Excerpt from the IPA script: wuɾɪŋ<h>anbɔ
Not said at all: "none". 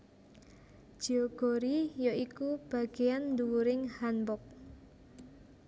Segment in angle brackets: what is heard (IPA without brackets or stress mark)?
h